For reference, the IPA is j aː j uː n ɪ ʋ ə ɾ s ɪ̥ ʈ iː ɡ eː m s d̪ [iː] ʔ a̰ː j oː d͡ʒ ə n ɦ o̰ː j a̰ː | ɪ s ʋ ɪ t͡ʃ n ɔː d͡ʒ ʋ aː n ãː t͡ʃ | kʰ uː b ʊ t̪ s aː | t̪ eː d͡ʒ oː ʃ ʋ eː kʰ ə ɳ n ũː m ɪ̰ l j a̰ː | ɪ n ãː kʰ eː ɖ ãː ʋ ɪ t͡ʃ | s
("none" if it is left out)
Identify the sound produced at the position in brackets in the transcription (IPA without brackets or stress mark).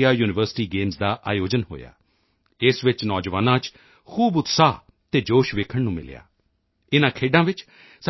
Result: aː